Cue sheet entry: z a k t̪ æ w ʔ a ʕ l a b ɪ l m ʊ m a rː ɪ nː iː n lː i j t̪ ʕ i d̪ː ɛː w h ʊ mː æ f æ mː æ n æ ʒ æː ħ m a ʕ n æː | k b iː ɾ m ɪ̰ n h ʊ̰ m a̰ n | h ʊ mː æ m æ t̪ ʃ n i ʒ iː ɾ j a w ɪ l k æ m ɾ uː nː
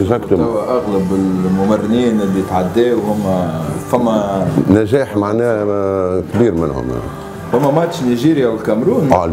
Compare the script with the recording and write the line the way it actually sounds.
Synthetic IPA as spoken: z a k t̪ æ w ʔ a ɣ l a b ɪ l m ʊ m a rː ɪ n iː n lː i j t̪ ʕ a d̪ː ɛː w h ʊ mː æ f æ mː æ n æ ʒ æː ħ m a ʕ n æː | k b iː ɾ m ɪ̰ n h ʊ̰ m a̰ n | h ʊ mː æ m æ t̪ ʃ n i ʒ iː ɾ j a w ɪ l k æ m ɾ uː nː